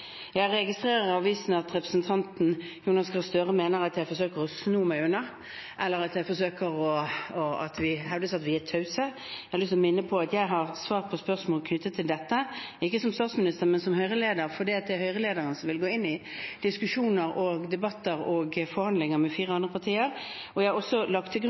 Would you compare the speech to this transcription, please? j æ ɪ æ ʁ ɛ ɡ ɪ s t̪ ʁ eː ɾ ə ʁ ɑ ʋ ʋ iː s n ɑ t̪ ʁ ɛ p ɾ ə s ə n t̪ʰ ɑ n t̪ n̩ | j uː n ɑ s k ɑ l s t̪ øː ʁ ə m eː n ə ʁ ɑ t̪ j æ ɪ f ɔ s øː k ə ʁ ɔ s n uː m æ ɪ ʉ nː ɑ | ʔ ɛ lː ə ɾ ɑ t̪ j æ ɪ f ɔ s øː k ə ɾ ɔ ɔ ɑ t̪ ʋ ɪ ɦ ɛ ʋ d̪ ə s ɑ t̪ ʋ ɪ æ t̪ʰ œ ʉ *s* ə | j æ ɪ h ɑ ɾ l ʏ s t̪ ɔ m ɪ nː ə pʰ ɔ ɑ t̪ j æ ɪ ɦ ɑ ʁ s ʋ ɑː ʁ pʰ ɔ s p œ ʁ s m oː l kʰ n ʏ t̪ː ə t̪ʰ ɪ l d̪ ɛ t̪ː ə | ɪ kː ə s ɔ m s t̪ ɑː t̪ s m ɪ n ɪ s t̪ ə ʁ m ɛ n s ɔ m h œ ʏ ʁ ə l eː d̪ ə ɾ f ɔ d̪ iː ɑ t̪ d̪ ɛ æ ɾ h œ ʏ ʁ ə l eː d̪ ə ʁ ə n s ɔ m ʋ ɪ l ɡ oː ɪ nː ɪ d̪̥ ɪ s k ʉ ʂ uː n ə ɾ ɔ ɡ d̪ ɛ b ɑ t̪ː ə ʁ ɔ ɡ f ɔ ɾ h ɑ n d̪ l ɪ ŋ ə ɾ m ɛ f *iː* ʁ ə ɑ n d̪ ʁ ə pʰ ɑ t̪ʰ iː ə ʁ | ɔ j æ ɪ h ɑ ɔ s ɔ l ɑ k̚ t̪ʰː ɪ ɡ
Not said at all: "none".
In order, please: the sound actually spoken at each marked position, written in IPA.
s, iː

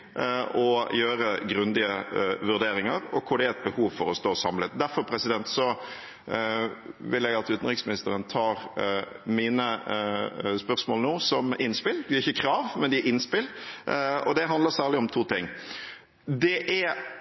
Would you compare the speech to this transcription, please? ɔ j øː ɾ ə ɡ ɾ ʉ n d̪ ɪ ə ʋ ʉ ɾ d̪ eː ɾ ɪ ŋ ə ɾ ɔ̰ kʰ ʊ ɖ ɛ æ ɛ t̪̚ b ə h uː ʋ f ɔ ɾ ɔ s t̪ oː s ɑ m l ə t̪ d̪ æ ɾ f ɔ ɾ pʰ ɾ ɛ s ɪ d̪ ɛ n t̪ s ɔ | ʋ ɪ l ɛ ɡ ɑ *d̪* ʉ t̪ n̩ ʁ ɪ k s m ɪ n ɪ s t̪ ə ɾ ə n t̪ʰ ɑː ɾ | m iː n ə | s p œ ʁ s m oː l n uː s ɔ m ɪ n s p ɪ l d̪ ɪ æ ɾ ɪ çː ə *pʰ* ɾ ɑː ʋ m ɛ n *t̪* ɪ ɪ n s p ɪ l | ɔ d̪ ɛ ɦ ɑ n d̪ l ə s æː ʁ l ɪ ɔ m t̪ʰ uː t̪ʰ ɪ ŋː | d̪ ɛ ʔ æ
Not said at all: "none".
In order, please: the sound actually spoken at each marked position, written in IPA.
t̪, kʰ, d̪

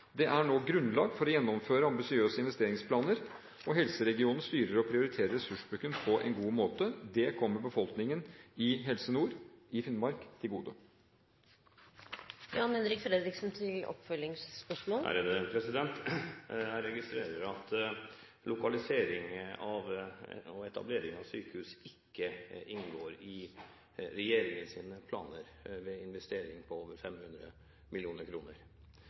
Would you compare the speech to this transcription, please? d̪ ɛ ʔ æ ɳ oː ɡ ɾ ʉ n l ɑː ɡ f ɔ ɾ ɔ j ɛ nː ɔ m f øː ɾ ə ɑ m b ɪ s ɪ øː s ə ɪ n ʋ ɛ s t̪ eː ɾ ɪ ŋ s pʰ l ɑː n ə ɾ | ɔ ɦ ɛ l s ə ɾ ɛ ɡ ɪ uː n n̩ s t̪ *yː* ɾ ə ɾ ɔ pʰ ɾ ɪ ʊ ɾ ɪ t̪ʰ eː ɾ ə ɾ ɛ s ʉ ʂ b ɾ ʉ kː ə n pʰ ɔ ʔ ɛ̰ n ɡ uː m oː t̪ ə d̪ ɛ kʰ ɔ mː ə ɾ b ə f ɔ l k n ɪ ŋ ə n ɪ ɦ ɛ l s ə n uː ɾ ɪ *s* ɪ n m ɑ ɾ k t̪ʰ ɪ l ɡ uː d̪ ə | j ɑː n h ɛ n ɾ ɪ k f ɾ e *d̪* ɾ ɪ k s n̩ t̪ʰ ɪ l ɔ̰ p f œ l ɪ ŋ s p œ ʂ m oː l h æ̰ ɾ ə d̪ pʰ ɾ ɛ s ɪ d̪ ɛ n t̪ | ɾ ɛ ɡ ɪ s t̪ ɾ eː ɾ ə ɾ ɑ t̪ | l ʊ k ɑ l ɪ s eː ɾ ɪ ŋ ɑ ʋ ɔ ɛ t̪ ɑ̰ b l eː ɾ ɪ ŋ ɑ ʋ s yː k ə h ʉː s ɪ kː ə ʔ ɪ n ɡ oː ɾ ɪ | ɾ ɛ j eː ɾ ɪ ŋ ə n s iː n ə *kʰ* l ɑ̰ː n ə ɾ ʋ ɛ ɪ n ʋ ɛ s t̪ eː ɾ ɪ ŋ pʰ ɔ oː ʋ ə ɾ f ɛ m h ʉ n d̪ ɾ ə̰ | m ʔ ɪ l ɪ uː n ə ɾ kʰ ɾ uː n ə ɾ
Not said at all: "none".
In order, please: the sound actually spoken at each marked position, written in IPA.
yː, f, d̪, pʰ

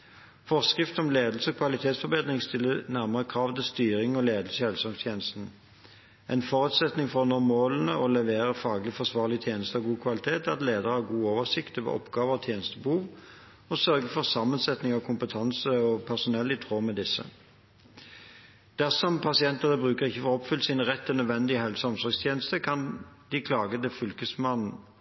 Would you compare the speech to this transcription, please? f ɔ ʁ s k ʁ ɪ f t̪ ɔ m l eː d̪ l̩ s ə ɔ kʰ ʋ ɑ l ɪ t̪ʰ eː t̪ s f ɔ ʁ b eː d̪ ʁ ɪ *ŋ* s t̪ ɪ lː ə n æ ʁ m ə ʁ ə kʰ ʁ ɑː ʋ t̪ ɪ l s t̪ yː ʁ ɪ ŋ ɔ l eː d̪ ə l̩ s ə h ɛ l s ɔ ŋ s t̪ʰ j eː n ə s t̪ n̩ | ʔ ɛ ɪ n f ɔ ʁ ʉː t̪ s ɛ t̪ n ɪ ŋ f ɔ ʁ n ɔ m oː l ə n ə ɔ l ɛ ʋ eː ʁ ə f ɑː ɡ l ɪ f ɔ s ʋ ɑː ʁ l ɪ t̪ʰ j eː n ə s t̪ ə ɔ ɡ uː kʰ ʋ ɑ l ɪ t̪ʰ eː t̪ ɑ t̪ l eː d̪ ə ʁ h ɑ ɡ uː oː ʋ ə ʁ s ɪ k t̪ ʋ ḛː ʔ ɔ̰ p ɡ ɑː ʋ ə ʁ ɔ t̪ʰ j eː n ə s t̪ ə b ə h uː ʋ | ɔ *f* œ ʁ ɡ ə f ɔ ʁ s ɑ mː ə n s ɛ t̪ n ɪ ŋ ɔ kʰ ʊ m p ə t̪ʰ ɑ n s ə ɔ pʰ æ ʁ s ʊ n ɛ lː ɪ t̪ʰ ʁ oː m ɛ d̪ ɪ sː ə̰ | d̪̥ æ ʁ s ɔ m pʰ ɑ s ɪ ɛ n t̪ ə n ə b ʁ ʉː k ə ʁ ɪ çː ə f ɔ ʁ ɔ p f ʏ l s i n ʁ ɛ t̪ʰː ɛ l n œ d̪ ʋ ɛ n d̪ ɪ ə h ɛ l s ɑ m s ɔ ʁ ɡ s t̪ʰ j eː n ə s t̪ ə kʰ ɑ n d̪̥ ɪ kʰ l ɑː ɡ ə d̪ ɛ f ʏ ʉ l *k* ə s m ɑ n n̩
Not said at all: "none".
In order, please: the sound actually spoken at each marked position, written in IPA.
ŋ, s, k

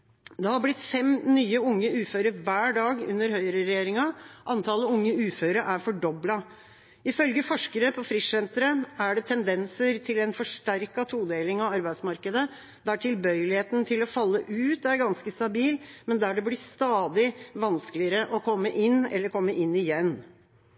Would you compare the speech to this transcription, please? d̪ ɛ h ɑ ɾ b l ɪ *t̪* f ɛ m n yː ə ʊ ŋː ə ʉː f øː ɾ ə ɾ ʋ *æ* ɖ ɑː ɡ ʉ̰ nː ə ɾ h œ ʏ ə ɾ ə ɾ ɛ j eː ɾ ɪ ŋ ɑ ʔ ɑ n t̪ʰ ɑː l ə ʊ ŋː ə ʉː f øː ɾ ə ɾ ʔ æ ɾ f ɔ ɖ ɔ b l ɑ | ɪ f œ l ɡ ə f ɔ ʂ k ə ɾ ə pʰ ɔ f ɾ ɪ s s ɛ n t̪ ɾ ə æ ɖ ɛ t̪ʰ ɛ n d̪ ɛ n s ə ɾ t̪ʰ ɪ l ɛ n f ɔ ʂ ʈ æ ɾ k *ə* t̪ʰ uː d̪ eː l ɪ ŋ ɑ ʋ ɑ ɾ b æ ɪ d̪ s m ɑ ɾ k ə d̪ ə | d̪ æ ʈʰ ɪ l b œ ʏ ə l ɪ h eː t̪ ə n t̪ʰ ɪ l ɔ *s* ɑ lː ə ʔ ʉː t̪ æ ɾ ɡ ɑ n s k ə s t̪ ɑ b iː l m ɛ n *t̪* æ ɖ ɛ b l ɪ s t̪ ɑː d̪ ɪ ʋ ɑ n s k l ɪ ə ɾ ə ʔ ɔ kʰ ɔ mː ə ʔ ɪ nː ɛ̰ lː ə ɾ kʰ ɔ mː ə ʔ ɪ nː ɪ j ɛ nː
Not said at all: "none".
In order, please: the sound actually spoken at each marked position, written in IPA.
t̪, æː, ɑ, f, d̪

